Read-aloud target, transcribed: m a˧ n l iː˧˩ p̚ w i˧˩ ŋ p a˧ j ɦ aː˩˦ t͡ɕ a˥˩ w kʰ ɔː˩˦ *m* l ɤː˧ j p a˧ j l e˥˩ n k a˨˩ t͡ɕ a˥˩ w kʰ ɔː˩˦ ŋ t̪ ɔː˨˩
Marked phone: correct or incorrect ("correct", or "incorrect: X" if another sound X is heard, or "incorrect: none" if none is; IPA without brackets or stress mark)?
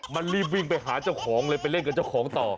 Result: incorrect: ŋ